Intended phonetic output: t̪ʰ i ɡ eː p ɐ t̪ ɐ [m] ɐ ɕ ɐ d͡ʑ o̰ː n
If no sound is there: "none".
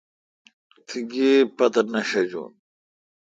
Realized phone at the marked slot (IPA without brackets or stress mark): n